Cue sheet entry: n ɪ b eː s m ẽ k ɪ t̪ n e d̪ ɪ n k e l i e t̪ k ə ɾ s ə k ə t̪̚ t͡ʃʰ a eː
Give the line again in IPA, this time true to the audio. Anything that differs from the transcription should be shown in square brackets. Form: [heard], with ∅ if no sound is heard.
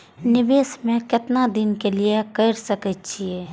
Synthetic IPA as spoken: n ɪ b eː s m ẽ k ɪ t̪ n [a] d̪ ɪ n k e l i e [∅] k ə ɾ s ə k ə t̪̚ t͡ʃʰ [i] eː